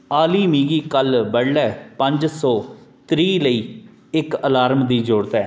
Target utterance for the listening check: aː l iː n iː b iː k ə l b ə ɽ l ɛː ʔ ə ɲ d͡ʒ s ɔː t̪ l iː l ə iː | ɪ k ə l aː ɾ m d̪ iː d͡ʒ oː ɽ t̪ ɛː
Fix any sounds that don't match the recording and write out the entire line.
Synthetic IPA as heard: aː l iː m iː ɡ iː k ə l b ə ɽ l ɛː p ə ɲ d͡ʒ s ɔː t̪ ɾ iː l ə iː | ɪ k ə l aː ɾ m d̪ iː d͡ʒ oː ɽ t̪ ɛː